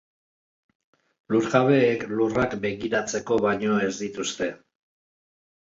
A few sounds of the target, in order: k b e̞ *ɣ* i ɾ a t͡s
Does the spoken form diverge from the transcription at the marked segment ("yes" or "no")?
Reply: no